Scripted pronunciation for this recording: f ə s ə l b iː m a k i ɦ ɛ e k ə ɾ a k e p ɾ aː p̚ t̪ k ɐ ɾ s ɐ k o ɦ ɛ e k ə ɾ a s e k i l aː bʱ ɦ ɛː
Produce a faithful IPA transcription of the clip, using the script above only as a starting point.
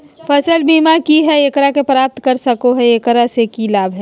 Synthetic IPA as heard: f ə s ə l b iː m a k i ɦ ɛ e k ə ɾ a k e p ɾ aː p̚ t̪ k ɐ ɾ s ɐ k o ɦ ɛ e k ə ɾ a s e k i l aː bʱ ɦ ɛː